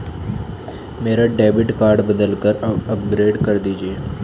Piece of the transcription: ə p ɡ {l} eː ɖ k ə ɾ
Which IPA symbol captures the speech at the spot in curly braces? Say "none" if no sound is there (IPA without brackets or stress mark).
ɾ